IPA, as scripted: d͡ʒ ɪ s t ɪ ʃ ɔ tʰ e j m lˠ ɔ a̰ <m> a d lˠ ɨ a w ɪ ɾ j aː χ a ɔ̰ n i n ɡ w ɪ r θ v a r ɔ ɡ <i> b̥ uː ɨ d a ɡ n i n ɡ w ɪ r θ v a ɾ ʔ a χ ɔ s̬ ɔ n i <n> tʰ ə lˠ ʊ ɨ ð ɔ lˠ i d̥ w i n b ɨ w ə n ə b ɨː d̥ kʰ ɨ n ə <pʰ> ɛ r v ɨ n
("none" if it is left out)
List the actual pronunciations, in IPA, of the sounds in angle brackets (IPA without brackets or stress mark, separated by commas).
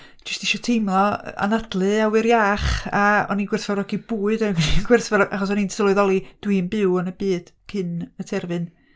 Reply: n, i, n, tʰ